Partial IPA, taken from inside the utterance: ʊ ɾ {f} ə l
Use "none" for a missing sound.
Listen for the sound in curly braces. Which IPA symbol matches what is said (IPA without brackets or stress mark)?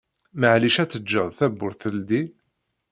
θ